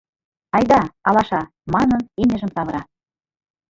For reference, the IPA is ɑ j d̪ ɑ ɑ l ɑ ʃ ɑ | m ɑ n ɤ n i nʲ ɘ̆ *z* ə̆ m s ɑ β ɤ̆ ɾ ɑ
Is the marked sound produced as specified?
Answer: no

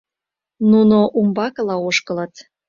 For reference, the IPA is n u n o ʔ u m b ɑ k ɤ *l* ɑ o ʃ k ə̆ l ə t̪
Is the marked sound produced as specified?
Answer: yes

